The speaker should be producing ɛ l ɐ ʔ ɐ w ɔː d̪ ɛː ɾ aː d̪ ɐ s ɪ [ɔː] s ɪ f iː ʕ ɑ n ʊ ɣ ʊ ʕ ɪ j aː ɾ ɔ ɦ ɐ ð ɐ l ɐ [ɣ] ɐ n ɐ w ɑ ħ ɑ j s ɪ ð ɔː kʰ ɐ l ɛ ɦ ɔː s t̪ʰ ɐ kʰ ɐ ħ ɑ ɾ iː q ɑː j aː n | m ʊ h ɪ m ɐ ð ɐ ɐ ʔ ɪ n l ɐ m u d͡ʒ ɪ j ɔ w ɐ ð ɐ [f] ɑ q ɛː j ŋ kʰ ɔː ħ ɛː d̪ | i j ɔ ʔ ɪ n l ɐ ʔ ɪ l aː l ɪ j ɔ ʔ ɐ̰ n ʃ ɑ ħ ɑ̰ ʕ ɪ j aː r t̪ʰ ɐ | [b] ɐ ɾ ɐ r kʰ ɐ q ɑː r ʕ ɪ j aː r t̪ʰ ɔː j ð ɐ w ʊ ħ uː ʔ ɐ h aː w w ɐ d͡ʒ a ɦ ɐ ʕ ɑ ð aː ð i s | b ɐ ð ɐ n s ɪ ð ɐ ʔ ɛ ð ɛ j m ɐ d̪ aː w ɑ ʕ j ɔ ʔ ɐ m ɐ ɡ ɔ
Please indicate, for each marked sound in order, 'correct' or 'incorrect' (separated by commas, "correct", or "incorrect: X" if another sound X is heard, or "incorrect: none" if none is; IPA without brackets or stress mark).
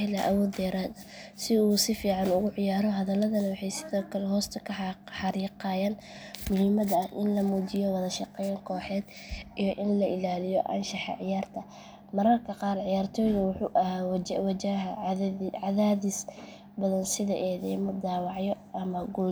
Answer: incorrect: uː, incorrect: ð, incorrect: ʃ, incorrect: m